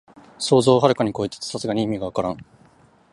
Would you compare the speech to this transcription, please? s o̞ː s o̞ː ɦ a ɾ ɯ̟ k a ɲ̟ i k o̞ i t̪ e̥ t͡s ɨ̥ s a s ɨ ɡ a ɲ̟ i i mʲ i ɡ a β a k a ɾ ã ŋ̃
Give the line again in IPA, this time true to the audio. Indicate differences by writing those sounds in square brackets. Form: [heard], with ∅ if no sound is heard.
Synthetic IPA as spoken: s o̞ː [z] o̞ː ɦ a ɾ ɯ̟ k a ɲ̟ i k o̞ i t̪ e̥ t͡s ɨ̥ s a s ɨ ɡ a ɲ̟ i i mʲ i ɡ a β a k a ɾ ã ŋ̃